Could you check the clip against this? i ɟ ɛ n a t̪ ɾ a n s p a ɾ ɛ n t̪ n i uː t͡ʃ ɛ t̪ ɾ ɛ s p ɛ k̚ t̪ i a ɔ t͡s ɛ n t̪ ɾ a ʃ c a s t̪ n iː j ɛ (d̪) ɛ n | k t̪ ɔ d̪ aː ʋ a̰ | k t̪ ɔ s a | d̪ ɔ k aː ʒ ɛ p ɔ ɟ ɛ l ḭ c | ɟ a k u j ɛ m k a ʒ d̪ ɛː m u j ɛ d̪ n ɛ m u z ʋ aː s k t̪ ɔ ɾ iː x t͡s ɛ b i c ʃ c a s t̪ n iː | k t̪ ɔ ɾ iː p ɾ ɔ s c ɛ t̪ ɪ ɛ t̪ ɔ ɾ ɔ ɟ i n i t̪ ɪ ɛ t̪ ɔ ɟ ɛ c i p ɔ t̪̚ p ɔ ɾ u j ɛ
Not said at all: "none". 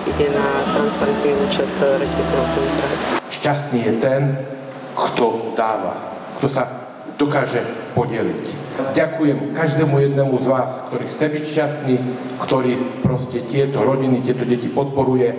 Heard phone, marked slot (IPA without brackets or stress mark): t̪